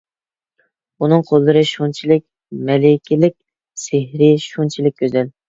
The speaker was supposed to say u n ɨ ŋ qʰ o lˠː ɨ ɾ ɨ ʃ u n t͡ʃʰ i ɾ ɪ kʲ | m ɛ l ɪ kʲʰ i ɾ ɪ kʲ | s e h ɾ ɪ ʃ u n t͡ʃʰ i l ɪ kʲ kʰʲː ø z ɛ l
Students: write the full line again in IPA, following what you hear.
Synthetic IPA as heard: u n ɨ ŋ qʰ o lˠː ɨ ɾ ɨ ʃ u n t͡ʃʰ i l ɪ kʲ | m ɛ l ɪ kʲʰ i l ɪ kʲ | s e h ɾ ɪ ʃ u n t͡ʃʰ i l ɪ kʲ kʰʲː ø z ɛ l